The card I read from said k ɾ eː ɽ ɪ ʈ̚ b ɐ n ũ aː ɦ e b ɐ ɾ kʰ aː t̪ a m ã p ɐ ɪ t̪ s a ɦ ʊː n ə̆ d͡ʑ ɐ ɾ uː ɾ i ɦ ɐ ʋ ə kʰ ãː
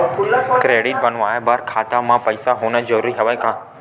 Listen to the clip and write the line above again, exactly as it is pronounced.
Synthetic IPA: k ɾ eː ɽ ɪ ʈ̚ b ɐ n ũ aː ɦ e b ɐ ɾ kʰ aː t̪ a m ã p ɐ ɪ s a ɦ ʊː n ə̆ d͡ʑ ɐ ɾ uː ɾ i ɦ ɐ ʋ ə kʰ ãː